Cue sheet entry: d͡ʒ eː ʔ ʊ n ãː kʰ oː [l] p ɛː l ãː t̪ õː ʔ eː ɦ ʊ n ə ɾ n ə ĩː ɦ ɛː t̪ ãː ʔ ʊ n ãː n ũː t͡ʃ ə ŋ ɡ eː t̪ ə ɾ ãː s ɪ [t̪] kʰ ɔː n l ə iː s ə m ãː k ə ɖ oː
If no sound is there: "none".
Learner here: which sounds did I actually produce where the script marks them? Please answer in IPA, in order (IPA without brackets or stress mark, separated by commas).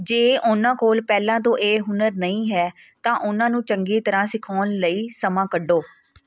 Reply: l, none